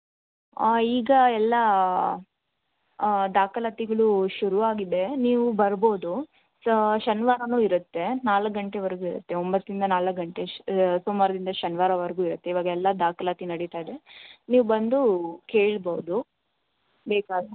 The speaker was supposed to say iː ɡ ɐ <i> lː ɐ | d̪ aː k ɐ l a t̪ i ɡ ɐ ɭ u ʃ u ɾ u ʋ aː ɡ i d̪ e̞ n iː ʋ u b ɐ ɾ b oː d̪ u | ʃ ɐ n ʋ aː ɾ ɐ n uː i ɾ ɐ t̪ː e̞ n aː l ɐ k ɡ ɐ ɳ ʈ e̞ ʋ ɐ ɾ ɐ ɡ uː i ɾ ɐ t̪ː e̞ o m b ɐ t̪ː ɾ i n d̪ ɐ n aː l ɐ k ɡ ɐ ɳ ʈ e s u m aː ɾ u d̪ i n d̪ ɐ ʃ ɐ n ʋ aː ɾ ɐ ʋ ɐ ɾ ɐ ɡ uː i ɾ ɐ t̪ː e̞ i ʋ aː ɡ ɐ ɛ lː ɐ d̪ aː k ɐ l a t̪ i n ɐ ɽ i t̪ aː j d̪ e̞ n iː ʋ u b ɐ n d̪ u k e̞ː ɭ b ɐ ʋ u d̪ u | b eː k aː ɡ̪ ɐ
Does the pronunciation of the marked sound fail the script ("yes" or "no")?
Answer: yes